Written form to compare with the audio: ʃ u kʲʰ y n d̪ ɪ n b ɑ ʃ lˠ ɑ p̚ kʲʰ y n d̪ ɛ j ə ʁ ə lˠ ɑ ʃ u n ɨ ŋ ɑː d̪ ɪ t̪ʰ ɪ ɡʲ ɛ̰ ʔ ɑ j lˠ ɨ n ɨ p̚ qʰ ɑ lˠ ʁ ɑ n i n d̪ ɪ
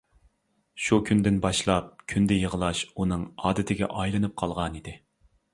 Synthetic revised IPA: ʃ u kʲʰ y n d̪ ɪ n b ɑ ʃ lˠ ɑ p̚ kʲʰ y n d̪ ɛ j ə ʁ ə lˠ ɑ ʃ u n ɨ ŋ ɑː d̪ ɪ t̪ʰ ɪ ɡʲ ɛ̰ ʔ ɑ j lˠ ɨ n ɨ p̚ qʰ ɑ lˠ ʁ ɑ n i d̪ ɪ